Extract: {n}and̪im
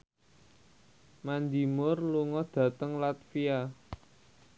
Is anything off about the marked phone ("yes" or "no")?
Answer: yes